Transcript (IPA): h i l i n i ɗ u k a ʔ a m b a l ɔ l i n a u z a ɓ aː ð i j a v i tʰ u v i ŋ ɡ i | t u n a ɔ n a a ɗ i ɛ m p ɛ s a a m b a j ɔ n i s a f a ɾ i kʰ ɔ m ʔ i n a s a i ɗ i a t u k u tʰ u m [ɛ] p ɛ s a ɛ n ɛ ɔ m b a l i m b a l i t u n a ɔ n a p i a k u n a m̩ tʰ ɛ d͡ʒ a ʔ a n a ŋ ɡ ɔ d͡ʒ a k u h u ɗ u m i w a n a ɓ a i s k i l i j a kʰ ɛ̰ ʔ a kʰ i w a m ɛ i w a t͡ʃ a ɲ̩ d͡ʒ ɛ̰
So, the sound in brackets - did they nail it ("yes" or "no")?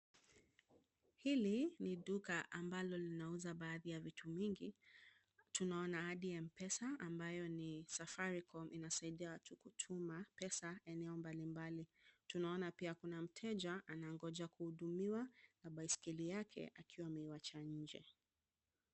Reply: no